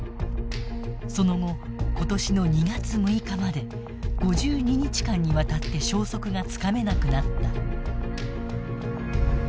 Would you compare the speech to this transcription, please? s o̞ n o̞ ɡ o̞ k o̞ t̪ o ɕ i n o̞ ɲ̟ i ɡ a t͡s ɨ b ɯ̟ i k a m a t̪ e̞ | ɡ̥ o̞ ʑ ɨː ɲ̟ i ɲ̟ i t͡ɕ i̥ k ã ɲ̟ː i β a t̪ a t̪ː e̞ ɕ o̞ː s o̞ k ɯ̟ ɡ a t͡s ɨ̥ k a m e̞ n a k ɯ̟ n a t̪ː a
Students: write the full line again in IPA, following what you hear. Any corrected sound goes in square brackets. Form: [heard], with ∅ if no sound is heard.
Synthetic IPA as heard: s o̞ n o̞ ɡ o̞ k o̞ t̪ o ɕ i n o̞ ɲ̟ i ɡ a t͡s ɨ [m] ɯ̟ i k a m a [d̪] e̞ | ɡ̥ o̞ ʑ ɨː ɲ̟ i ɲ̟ i t͡ɕ i̥ k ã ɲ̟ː i β a t̪ a t̪ː e̞ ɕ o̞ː s o̞ k ɯ̟ ɡ a t͡s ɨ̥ k a m e̞ n a k ɯ̟ n a t̪ː a